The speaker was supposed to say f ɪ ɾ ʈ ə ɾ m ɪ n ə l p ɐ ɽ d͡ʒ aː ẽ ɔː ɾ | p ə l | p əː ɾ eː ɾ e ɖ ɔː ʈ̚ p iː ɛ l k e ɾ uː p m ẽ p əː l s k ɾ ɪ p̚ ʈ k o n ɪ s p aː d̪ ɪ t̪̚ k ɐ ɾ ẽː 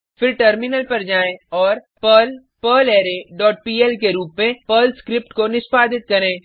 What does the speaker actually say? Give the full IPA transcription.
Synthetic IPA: f ɪ ɾ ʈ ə ɾ m ɪ n ə l p ɐ ɾ d͡ʒ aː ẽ ɔː ɾ | p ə l | p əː l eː ɾ e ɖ ɔː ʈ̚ p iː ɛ l k e ɾ uː p m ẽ p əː l s k ɾ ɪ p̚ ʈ k o n ɪ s p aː d̪ ɪ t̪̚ k ɐ ɾ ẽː